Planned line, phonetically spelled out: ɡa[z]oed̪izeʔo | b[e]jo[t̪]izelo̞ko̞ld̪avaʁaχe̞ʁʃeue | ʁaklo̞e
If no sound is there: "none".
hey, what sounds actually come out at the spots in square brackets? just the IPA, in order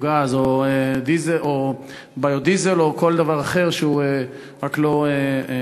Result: z, a, d̪

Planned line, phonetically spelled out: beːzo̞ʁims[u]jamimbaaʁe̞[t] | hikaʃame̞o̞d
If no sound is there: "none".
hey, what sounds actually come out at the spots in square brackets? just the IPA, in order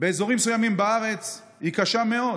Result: u, t͡s

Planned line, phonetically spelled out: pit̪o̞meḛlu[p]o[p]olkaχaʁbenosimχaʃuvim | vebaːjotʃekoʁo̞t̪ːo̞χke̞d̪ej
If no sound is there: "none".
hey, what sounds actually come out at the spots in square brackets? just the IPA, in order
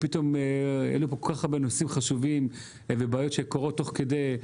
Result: p, k

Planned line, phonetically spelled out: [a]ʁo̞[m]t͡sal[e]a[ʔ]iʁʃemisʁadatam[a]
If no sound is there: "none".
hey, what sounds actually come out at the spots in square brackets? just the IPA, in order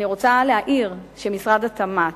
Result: i, none, e, ʔ, a

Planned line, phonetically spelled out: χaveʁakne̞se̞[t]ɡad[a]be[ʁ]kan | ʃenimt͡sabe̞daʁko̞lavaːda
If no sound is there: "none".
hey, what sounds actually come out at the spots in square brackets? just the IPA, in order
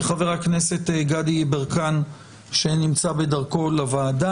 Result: t, i, ʁ

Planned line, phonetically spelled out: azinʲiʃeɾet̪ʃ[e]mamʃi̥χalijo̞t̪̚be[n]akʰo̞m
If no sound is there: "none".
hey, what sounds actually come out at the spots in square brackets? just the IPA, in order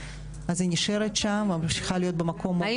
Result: a, m

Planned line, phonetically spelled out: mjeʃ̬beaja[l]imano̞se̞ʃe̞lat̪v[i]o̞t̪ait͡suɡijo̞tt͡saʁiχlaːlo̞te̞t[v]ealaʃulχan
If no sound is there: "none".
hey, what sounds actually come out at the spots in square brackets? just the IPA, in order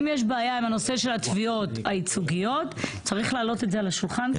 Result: none, i, z

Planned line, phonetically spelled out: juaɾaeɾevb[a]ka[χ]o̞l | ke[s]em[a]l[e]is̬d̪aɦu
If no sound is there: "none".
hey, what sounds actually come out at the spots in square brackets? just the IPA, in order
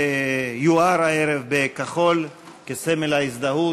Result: e, χ, s, e, a

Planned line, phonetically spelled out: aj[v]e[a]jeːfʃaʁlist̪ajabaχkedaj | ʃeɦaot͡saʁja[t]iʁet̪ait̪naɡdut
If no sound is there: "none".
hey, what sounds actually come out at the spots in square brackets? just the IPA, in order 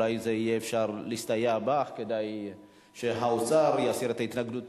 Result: z, i, s

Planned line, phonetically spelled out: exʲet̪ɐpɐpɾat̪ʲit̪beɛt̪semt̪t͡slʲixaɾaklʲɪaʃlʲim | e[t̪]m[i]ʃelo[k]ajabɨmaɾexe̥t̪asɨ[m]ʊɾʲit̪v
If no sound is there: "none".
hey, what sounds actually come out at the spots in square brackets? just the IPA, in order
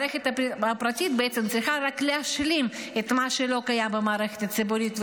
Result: t̪, a, k, b

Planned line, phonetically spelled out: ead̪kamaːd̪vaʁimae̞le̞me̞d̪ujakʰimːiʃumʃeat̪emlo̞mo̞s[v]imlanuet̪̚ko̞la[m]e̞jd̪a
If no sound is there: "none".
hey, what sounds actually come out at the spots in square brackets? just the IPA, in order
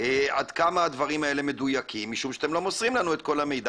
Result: ʁ, m

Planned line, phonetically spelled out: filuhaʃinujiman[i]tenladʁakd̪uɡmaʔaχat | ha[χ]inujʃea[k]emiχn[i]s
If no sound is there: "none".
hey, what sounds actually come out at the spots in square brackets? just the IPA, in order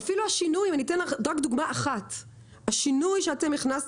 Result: i, ʃ, t, a

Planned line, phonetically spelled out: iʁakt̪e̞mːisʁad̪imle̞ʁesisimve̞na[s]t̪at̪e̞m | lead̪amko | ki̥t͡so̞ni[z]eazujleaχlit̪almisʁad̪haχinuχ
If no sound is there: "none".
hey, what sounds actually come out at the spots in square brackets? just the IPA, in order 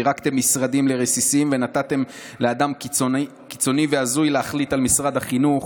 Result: none, v

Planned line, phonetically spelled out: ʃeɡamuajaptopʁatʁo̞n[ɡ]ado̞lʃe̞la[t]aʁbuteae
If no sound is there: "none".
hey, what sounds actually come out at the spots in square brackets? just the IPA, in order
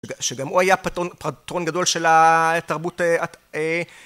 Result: ɡ, t

